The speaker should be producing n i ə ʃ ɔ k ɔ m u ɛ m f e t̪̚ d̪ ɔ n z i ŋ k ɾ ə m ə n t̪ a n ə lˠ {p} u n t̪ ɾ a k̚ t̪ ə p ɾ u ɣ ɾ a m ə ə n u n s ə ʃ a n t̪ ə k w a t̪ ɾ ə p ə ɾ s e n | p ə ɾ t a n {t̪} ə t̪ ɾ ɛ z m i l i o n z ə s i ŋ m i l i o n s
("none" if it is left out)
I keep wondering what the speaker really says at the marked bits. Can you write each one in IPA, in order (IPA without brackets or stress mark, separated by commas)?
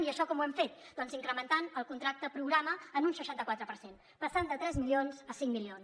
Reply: k, d̪